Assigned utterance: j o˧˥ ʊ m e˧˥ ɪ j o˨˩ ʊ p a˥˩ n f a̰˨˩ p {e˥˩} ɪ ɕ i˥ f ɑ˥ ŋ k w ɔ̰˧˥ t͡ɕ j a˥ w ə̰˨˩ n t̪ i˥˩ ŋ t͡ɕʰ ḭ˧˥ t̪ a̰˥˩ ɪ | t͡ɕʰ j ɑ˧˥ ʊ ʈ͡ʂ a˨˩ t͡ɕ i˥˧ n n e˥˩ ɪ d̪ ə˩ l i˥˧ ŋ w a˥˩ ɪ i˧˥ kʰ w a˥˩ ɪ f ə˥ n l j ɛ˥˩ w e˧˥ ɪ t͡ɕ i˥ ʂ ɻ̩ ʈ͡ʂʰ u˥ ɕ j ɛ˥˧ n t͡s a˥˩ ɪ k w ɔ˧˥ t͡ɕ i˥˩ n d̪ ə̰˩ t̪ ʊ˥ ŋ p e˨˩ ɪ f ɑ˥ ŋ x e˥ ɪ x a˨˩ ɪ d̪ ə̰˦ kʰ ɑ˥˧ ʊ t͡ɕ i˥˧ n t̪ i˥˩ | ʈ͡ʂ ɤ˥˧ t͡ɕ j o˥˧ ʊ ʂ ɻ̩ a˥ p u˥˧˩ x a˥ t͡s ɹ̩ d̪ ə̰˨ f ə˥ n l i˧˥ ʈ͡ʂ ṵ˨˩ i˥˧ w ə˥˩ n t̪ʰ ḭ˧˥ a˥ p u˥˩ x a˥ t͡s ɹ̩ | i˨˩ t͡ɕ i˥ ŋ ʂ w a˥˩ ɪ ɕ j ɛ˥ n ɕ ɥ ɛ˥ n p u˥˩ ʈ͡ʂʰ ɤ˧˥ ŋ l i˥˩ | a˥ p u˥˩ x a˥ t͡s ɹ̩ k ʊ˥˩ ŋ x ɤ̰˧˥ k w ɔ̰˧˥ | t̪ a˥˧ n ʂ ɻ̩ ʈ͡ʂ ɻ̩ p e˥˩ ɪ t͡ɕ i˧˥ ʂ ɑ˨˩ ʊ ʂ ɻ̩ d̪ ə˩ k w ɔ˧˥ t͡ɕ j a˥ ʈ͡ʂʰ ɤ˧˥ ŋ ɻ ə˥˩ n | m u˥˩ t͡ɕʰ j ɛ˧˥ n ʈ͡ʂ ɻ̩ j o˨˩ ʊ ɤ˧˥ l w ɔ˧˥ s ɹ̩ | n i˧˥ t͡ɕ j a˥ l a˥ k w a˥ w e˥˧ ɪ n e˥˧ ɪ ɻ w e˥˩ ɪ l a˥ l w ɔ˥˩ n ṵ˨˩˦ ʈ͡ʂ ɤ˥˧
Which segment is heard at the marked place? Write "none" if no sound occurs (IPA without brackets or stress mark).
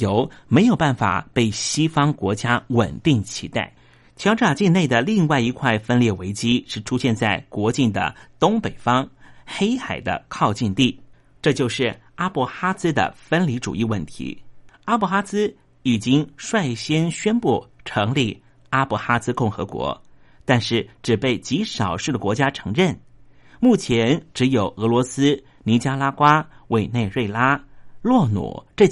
e˥˩